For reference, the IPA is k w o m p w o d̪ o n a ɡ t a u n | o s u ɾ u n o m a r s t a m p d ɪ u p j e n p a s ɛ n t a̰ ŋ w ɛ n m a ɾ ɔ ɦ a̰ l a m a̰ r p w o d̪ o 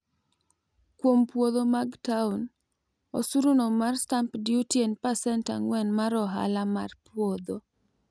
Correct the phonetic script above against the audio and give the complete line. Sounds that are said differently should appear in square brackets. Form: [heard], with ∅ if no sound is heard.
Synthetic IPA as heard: k w o m p w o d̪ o [m] a ɡ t a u n | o s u ɾ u n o m a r s t a m p d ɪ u [t] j e n p a s ɛ n t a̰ ŋ w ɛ n m a ɾ ɔ ɦ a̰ l a m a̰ r p w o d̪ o

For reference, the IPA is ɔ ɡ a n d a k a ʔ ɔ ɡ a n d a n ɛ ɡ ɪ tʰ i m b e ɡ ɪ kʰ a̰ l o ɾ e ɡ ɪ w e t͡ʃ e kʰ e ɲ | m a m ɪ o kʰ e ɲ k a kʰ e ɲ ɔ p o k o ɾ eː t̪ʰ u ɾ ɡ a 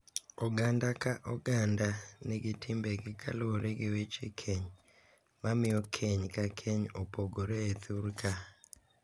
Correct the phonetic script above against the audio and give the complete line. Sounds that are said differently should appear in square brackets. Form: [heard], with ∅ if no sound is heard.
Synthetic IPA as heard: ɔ ɡ a n d a k a ʔ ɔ ɡ a n d a n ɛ ɡ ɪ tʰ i m b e ɡ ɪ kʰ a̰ l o ɾ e ɡ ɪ w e t͡ʃ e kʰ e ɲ | m a m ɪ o kʰ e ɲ k a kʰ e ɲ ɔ p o [ɡ] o ɾ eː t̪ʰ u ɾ [k] a

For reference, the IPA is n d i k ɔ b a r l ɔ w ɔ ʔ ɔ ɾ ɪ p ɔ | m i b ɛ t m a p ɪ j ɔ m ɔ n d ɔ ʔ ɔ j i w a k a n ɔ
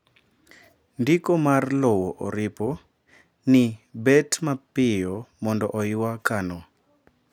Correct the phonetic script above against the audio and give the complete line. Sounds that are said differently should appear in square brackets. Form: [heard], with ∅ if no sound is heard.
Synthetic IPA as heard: n d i k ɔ [m] a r l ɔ w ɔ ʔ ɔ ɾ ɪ p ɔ | [n] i b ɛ t m a p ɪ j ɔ m ɔ n d ɔ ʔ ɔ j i w a k a n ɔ

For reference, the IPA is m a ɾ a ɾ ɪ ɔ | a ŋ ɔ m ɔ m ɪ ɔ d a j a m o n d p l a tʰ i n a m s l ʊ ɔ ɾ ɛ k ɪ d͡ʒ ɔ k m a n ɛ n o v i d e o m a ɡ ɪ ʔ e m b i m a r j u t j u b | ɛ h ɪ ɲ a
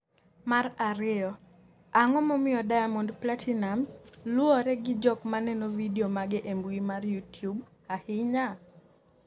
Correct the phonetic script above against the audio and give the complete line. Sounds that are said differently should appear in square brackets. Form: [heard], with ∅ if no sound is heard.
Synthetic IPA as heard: m a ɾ a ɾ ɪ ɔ | a ŋ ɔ m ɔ m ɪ ɔ d a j a m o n d p l a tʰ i n a m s l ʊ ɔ ɾ ɛ [ɡ] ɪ d͡ʒ ɔ k m a n ɛ n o v i d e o m a ɡ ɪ ʔ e m b i m a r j u t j u b | [a] h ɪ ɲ a

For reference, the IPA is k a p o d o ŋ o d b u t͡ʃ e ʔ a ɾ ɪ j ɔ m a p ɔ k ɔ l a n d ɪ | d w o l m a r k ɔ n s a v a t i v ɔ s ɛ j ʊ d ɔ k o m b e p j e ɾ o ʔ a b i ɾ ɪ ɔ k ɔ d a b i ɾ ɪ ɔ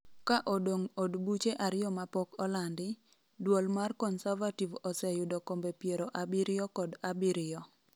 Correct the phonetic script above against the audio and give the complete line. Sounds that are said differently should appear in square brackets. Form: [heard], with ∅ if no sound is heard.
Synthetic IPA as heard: k a [ʔ] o d o ŋ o d b u t͡ʃ e ʔ a ɾ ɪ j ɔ m a p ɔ k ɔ l a n d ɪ | d w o l m a r k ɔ n s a v a t i v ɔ s ɛ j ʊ d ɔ k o m b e p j e ɾ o ʔ a b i ɾ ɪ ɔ k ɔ d a b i ɾ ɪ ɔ

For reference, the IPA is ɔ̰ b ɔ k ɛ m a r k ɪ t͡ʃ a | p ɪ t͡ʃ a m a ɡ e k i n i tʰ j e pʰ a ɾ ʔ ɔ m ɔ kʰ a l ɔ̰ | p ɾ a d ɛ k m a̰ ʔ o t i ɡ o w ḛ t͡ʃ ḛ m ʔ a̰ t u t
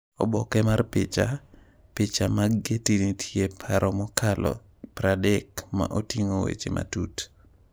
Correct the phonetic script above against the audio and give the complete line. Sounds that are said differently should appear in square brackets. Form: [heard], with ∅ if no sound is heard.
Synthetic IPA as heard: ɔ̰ b ɔ k ɛ m a r [p] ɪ t͡ʃ a | p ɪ t͡ʃ a m a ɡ e [t] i n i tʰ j e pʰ a ɾ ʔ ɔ m ɔ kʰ a l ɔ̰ | p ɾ a d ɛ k m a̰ ʔ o t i [ŋ] o w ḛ t͡ʃ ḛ m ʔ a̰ t u t

